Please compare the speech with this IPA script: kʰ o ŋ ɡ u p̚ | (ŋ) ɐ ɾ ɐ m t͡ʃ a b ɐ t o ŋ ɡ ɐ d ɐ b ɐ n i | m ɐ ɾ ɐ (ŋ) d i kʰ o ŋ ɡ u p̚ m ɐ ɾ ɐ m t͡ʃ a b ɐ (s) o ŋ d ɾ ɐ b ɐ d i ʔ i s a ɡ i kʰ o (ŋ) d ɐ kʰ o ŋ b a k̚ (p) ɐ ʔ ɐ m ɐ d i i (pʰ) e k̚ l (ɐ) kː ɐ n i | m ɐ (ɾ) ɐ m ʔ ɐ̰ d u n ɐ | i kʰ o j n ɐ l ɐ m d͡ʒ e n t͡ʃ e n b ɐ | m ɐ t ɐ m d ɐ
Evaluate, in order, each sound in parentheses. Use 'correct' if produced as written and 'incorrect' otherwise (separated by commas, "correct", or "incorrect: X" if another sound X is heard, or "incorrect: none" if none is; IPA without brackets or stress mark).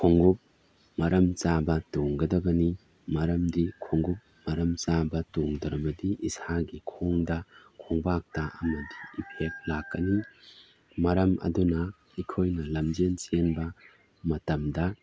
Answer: incorrect: m, incorrect: m, incorrect: t, correct, incorrect: t, correct, incorrect: a, correct